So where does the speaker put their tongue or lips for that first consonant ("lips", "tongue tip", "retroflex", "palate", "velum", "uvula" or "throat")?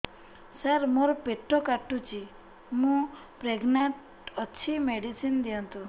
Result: tongue tip